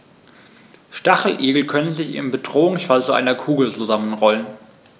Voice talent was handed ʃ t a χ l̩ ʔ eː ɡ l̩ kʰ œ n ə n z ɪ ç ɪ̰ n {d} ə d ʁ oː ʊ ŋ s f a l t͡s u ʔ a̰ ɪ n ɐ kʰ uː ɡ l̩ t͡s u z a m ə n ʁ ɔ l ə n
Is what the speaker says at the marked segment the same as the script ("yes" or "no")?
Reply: no